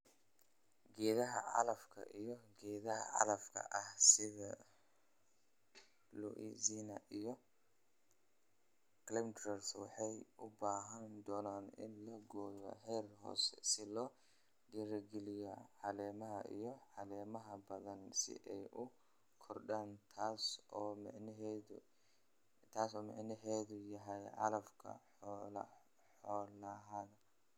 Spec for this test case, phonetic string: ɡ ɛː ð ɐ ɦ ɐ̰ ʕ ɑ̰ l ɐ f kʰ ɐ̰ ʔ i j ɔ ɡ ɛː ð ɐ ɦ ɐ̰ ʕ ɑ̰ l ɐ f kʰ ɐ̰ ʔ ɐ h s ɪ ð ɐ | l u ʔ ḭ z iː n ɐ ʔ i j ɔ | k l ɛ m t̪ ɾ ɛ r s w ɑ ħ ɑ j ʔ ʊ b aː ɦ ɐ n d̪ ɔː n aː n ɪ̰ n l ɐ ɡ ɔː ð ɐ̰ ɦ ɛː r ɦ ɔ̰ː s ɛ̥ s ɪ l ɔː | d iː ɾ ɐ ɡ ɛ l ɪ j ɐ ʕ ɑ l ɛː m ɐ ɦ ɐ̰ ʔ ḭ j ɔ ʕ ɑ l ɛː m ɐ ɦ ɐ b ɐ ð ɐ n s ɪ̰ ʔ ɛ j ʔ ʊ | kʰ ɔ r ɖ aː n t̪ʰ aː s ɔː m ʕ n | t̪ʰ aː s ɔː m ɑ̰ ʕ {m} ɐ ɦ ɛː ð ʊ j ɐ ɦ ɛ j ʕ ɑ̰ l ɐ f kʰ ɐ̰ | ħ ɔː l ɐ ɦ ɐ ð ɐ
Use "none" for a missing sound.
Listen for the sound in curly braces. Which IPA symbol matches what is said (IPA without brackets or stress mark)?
n